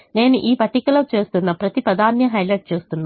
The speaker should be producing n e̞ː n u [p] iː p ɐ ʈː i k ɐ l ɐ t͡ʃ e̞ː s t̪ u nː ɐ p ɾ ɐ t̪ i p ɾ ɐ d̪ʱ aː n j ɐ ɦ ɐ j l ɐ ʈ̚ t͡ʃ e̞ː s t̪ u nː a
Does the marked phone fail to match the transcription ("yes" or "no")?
yes